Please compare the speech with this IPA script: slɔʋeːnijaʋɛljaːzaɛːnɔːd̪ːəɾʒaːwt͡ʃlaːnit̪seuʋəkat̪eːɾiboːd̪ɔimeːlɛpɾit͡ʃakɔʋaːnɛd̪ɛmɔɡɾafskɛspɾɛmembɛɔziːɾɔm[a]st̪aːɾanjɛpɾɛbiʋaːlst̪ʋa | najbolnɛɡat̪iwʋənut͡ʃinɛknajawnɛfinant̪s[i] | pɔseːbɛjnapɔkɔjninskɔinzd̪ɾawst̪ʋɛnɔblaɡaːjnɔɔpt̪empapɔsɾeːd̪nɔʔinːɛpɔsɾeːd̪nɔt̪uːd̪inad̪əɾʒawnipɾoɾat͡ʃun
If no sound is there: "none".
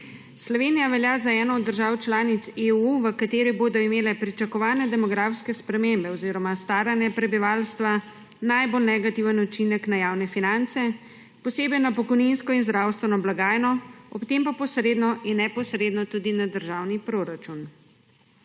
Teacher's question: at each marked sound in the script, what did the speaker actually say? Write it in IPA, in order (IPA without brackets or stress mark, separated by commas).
a, ɛ